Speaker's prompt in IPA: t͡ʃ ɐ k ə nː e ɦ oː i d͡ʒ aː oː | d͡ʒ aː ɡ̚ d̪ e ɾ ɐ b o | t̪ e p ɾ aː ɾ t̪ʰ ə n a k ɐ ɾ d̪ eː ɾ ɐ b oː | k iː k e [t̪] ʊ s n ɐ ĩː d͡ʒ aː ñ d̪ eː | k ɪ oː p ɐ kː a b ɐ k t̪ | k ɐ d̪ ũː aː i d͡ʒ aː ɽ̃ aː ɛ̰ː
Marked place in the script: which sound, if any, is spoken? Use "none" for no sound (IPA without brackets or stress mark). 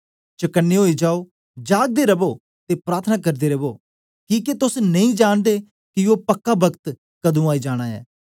t̪